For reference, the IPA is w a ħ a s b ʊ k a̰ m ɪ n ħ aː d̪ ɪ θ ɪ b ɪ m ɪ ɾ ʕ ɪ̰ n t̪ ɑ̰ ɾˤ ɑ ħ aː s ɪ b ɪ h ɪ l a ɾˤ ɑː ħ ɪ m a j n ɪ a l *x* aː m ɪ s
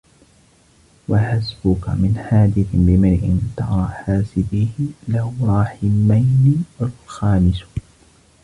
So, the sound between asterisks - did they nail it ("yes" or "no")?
yes